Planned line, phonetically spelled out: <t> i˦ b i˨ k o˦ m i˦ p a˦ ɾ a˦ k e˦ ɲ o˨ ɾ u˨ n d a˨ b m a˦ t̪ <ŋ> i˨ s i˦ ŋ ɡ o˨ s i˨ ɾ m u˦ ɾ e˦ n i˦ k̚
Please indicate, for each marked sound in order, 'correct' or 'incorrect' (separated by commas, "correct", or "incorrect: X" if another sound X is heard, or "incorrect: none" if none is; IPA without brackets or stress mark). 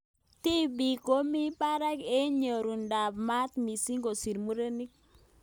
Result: correct, incorrect: m